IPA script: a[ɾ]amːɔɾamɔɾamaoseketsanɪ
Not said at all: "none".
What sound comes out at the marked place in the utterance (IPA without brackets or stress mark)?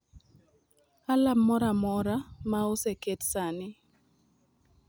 l